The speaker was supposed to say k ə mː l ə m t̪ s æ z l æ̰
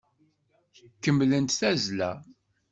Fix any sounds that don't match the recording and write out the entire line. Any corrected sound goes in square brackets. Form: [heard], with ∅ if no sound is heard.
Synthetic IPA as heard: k ə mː l ə [n] t̪ [θ] æ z l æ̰